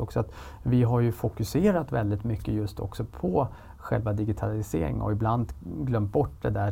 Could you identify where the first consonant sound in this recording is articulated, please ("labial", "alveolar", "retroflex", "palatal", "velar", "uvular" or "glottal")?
velar